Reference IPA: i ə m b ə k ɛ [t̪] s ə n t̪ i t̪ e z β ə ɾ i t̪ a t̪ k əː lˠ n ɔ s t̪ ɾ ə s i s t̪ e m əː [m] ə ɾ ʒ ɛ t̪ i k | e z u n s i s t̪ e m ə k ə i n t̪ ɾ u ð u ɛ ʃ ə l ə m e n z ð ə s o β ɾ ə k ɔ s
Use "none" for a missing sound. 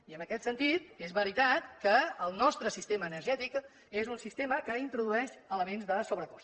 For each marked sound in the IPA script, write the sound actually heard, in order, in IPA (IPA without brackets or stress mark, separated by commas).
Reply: t̪, n